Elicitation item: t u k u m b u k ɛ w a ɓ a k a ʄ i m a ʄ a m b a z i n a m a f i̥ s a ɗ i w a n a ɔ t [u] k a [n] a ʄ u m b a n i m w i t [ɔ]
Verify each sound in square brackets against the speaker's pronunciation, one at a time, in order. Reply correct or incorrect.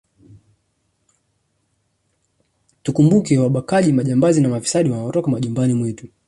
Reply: incorrect: ɔ, incorrect: m, incorrect: u

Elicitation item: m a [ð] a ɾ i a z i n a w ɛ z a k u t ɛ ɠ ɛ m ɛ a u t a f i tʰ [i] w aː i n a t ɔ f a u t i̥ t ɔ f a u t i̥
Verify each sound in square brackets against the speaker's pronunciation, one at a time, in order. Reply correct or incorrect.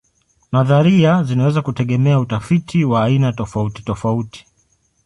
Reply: correct, correct

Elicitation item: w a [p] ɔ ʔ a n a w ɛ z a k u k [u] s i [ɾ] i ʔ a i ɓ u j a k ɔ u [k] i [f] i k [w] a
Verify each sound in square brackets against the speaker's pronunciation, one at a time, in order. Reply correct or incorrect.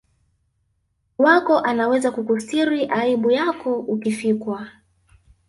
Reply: incorrect: k, correct, correct, correct, correct, correct

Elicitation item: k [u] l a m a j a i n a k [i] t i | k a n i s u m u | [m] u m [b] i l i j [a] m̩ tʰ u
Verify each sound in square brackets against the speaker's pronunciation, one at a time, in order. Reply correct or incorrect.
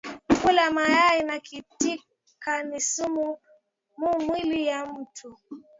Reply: correct, correct, correct, incorrect: w, correct

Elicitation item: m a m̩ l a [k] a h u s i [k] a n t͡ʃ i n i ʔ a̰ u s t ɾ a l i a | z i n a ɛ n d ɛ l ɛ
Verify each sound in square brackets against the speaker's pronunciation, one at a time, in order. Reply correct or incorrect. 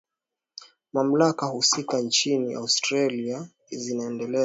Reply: correct, correct

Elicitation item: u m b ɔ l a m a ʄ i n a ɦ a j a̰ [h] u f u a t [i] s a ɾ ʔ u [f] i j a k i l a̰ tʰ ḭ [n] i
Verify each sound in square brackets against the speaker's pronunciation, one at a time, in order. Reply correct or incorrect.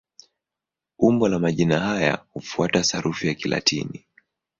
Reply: correct, incorrect: a, correct, correct

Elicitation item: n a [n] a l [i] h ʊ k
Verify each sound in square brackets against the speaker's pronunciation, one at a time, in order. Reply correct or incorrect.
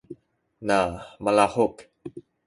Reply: incorrect: m, incorrect: a

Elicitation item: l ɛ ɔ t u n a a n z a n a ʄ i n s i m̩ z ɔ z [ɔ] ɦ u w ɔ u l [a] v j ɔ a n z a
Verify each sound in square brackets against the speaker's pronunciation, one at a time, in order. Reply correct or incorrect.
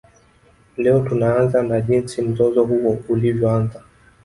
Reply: correct, incorrect: i

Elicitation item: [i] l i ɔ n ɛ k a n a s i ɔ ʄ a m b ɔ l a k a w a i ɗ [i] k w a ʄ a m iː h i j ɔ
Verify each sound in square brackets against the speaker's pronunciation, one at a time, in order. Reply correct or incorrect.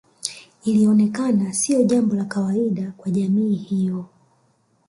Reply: correct, incorrect: a

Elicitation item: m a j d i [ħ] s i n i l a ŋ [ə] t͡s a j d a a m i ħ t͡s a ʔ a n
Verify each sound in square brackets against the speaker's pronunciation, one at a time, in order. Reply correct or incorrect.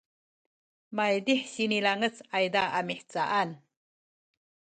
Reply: correct, correct

